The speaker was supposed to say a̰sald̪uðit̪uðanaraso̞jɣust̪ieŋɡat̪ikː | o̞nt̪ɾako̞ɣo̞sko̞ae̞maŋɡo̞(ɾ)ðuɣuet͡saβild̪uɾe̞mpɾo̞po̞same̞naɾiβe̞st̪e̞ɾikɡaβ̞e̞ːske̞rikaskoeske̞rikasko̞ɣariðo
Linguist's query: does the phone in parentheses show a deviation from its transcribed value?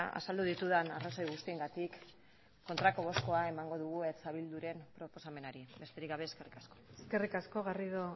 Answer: yes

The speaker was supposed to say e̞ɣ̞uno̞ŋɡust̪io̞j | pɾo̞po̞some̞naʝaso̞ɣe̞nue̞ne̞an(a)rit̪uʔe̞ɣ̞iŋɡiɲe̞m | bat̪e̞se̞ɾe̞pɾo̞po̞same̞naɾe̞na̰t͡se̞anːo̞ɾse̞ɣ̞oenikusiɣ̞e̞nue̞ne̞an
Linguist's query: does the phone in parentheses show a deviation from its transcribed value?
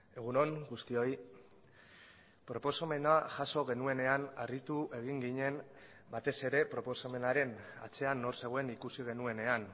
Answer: no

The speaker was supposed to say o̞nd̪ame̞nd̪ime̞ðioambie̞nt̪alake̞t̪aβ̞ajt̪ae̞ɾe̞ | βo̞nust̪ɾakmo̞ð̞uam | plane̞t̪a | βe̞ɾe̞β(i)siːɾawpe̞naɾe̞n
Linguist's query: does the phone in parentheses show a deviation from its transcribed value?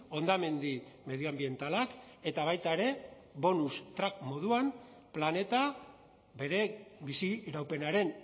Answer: no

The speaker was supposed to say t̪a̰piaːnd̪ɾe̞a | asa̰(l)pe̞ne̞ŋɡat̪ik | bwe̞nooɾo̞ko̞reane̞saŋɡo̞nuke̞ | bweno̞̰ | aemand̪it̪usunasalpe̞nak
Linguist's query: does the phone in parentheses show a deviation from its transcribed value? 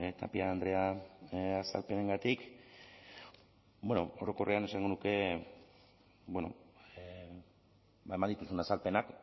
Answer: no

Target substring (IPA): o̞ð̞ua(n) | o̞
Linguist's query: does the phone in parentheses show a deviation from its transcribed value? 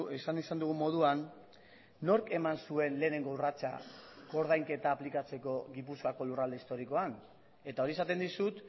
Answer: yes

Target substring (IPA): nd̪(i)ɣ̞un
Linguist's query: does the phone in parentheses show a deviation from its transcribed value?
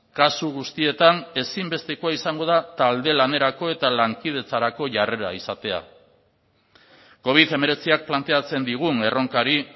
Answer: no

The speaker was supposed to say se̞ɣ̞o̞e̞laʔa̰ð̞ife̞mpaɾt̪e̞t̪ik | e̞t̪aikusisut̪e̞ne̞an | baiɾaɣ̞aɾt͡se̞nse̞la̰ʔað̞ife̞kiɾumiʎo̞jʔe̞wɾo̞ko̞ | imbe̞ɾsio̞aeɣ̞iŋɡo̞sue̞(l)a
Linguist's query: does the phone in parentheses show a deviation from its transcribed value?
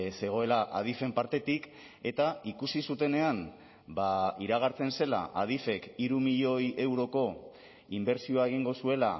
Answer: no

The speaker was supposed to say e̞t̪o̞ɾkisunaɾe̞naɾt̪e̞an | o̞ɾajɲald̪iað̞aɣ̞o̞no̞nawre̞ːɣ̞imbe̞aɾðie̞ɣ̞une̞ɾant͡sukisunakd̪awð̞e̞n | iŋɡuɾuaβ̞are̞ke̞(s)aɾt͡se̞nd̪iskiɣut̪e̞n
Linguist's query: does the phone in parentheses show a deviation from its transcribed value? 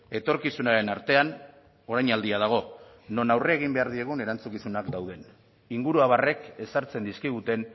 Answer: no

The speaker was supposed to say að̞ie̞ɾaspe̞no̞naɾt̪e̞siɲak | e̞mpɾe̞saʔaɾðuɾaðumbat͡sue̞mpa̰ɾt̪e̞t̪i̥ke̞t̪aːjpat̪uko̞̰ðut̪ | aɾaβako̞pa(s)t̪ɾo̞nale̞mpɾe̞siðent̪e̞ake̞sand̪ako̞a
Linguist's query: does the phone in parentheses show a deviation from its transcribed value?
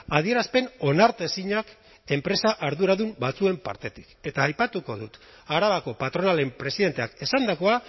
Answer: yes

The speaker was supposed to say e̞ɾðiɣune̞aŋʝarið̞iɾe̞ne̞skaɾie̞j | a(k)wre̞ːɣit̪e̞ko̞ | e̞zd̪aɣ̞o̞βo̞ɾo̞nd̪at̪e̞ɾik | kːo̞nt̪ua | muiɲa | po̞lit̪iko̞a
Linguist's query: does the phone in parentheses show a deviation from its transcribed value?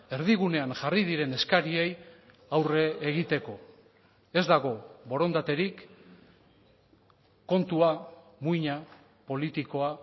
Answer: yes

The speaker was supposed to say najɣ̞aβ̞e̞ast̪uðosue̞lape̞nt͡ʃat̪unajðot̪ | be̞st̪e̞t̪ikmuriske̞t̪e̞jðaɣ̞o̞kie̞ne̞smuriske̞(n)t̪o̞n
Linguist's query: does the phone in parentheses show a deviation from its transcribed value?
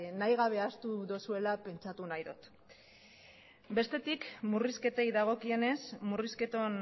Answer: yes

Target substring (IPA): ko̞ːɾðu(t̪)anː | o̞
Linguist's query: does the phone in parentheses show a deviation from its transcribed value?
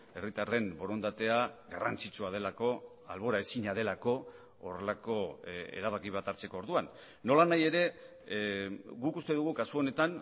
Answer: yes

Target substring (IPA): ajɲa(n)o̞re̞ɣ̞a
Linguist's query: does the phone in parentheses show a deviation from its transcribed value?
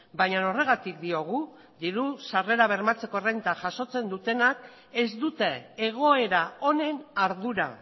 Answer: no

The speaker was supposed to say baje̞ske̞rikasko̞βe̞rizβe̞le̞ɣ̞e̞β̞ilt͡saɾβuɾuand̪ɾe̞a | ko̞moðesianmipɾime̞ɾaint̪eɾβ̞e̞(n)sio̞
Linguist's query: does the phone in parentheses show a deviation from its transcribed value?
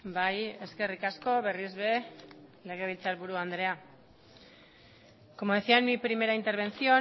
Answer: no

